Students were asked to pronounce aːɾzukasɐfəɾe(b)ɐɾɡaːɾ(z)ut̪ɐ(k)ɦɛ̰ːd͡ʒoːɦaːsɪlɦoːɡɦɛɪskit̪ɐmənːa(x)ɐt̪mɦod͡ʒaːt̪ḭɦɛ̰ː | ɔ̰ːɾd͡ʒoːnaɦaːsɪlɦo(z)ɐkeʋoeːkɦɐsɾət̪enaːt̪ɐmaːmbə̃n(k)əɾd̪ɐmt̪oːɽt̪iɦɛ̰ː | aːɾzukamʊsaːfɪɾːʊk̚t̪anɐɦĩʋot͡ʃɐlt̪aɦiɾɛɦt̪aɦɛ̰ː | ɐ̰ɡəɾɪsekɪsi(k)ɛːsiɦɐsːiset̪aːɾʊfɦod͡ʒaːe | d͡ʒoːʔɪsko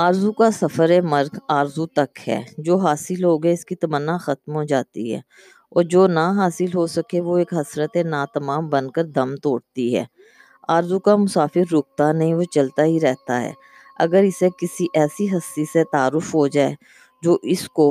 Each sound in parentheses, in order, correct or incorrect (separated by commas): incorrect, correct, correct, correct, incorrect, correct, incorrect